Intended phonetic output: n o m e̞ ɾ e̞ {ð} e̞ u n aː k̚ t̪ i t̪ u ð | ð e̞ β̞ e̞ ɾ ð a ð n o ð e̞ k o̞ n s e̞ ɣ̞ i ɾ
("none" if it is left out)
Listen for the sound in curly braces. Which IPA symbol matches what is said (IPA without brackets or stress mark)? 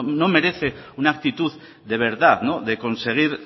θ